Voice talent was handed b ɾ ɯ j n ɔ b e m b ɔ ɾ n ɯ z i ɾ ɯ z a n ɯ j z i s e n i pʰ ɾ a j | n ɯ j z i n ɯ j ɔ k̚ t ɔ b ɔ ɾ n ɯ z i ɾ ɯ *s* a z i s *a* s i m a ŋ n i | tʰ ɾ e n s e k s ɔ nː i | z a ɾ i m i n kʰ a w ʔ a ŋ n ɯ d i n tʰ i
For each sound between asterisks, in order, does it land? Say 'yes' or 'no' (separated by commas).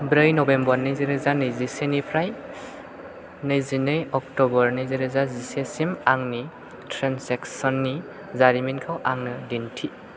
no, no